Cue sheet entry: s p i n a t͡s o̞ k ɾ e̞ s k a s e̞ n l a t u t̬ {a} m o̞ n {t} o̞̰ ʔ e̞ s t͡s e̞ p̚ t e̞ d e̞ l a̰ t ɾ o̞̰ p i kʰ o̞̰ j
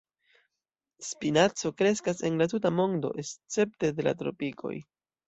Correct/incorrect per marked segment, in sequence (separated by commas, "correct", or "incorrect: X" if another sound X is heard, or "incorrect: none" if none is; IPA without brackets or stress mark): correct, incorrect: d